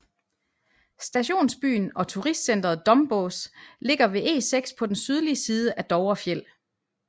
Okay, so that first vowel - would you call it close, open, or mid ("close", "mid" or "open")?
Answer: open